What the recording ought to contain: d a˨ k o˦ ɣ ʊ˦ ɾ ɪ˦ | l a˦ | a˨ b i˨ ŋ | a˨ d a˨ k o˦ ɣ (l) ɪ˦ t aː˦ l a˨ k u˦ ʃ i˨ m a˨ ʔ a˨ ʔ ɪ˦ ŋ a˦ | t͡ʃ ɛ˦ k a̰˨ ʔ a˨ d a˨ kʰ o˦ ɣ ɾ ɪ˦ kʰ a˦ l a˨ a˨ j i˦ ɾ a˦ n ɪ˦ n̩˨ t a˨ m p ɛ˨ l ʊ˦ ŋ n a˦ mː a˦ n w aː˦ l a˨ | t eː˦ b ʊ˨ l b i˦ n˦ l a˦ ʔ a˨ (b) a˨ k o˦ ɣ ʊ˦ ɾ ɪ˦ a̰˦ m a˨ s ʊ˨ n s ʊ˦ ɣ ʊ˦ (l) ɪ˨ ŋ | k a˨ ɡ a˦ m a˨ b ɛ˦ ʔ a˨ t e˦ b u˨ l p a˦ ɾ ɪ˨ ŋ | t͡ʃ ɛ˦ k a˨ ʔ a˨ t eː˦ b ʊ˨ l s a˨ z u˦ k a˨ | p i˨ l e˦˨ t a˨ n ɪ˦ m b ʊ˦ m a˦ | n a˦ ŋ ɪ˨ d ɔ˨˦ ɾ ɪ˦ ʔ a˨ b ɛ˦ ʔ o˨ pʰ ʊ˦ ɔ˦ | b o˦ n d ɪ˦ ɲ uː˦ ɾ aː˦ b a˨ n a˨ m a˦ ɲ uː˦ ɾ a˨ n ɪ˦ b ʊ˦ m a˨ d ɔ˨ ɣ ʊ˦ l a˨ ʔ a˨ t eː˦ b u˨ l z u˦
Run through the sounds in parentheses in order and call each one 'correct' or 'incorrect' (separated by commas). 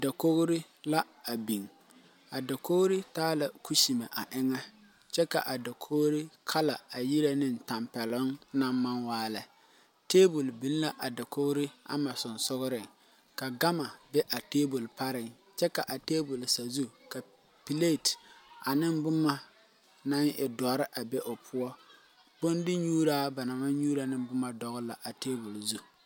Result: incorrect, incorrect, incorrect